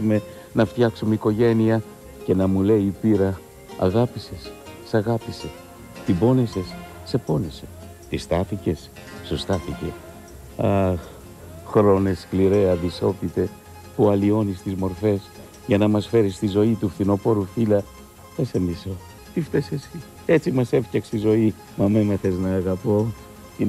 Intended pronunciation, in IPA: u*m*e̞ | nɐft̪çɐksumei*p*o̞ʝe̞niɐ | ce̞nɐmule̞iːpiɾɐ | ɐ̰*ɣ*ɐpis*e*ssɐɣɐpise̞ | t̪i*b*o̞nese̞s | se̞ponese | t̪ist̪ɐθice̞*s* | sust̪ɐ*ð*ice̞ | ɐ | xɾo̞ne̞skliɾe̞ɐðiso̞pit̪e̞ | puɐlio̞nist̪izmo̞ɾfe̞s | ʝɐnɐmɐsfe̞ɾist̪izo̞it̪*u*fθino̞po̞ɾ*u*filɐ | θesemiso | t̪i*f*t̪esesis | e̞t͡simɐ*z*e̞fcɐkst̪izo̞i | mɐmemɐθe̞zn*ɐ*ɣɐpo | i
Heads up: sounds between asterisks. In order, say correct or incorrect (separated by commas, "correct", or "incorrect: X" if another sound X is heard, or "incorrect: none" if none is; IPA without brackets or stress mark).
correct, incorrect: k, correct, correct, correct, correct, incorrect: θ, correct, correct, correct, incorrect: s, incorrect: ɐː